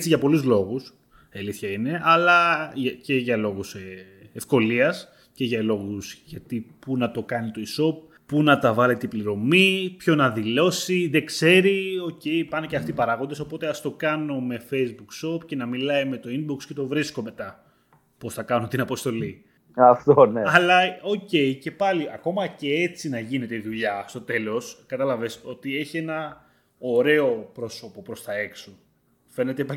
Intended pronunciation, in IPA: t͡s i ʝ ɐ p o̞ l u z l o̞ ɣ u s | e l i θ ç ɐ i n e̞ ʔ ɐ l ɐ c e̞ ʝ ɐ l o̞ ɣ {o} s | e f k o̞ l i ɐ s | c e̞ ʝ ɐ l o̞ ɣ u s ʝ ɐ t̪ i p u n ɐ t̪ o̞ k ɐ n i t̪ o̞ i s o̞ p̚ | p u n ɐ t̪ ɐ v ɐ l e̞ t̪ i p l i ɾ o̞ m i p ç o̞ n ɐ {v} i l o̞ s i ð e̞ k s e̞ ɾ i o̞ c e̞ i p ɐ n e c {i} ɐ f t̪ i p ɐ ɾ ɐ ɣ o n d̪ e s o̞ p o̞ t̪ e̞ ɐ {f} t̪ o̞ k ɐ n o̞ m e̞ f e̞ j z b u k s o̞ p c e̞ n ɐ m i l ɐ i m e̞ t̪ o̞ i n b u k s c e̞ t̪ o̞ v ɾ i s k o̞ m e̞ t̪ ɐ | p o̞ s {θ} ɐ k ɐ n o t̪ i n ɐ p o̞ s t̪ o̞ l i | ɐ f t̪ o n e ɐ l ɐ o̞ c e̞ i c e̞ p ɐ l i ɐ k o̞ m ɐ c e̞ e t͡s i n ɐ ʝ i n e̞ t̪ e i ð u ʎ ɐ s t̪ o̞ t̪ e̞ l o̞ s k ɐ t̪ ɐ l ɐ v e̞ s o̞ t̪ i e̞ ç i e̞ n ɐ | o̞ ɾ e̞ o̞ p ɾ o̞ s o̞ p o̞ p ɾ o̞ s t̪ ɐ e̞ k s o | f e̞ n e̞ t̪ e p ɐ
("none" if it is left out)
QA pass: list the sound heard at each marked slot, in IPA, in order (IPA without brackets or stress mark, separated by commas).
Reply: u, ð, e, s, θ